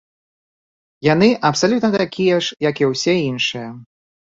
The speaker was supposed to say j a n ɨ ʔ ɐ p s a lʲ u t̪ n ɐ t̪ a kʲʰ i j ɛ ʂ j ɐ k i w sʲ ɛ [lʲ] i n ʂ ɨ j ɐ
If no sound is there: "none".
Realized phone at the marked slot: none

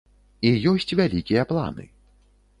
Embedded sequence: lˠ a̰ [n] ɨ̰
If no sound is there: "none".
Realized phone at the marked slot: n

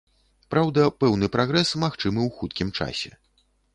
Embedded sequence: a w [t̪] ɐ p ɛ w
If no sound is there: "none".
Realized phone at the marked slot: d̪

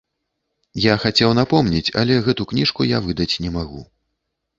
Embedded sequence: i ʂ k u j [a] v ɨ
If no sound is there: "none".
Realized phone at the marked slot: a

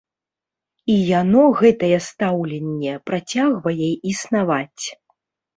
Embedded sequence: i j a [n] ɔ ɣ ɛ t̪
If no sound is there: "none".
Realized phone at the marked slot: n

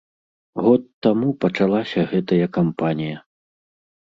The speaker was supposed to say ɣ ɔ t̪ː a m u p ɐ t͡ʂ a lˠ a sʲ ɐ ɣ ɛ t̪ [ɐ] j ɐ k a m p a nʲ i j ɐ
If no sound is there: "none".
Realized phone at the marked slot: ɐ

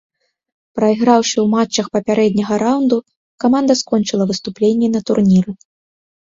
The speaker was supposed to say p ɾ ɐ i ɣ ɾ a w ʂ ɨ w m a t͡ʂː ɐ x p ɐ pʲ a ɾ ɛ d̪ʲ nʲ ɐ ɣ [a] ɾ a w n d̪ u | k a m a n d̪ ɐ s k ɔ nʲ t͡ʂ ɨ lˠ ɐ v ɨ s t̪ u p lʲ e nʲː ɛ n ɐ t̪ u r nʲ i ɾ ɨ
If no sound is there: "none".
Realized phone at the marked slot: ɐ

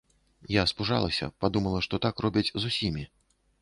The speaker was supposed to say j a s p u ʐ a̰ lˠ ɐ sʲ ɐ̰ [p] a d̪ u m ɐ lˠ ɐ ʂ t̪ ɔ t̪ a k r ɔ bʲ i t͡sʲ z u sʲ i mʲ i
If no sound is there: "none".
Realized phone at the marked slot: p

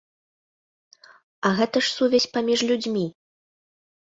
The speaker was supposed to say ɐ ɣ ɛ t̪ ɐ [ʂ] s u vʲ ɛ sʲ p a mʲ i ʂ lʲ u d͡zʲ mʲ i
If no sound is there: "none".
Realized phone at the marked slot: ʂ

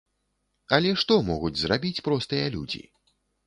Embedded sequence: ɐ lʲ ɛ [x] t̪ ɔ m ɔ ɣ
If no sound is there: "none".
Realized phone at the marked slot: ʂ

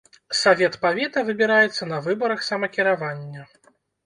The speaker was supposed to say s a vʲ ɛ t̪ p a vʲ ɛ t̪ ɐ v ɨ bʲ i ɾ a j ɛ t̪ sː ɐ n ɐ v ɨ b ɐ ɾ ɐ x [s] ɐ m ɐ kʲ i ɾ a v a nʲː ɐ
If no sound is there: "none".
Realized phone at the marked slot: s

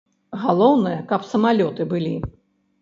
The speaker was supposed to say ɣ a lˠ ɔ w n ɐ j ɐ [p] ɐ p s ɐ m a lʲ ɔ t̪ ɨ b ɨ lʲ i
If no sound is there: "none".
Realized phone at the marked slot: k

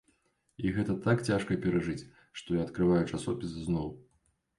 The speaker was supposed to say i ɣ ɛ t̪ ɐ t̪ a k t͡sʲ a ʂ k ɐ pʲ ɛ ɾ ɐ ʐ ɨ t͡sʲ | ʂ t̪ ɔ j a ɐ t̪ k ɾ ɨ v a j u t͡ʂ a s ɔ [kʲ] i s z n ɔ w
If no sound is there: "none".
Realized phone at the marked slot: pʲ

